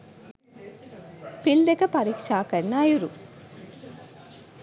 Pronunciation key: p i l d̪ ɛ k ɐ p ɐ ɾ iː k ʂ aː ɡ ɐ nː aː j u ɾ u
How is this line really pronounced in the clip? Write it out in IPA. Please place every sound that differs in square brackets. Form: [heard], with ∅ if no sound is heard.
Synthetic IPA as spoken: p i l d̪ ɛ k ɐ p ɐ ɾ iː k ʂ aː [k] ɐ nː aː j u ɾ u